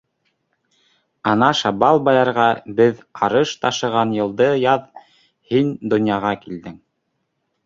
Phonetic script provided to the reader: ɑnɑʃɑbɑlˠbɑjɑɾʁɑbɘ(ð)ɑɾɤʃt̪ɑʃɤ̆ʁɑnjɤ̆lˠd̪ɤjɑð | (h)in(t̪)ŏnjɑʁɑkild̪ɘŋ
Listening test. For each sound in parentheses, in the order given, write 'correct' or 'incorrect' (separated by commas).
correct, correct, incorrect